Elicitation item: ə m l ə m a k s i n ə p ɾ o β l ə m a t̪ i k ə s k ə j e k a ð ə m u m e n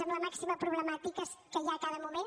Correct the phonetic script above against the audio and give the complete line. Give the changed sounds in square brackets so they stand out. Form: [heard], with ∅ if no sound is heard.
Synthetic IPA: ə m l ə m a k s i [m] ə p ɾ [u] β l ə m a t̪ i k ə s k ə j [a] k a ð ə m u m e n